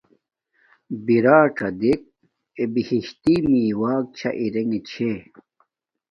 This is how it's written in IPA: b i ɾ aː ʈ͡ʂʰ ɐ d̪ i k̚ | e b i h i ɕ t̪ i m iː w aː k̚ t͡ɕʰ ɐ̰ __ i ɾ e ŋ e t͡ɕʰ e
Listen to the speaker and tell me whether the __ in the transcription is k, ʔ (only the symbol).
ʔ